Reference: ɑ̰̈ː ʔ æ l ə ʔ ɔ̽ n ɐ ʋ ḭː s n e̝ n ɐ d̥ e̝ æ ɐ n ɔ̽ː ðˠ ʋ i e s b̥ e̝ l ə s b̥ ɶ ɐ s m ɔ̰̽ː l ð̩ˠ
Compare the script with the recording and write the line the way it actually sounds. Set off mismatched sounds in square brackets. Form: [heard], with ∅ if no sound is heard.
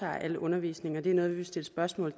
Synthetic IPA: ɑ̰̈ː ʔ æ l ə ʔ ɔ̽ n ɐ ʋ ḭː s n e̝ [ŋ] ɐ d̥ e̝ æ ɐ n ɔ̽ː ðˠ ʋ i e s [d̥] e̝ l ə s b̥ ɶ ɐ s m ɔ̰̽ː l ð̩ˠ